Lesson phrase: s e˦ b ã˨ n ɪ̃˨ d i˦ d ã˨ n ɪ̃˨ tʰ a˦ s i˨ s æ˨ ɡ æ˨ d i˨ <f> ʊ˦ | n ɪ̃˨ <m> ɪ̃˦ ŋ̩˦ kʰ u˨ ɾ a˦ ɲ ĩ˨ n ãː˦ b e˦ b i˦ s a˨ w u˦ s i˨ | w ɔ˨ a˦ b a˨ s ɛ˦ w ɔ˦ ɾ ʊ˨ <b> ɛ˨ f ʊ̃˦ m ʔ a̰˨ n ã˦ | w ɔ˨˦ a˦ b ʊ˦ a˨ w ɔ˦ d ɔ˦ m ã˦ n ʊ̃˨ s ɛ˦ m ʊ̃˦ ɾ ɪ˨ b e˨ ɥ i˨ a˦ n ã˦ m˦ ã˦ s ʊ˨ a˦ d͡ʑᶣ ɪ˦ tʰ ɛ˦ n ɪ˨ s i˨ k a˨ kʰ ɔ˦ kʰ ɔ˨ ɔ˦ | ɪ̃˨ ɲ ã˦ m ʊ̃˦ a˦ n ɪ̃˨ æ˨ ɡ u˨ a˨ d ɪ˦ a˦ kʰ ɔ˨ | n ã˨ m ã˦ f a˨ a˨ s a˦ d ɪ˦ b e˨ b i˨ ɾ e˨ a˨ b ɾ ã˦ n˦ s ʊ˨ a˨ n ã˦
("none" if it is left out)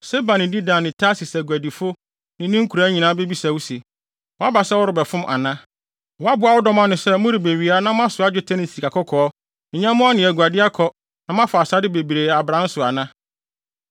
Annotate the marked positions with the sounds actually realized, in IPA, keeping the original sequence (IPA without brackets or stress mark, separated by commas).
f, n, b